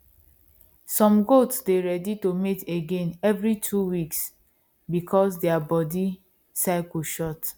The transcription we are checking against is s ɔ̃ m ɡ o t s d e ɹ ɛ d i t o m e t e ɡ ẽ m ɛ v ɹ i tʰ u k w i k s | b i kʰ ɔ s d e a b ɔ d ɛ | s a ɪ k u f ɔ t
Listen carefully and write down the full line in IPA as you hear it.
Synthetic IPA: s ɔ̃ m ɡ o t s d e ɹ ɛ d i t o m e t e ɡ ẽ n ɛ v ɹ i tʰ u w i k s | b i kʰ ɔ s d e a b ɔ d i | s a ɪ k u ʃ ɔ t